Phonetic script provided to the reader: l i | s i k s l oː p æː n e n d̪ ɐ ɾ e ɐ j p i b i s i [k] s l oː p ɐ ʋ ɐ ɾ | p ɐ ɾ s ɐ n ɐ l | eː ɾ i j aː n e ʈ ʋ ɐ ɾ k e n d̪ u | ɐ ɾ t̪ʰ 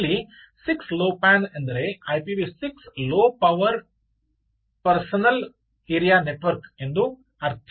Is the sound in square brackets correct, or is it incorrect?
correct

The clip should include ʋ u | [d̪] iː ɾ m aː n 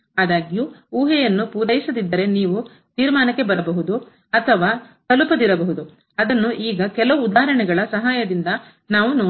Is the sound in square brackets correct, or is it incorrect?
incorrect: t̪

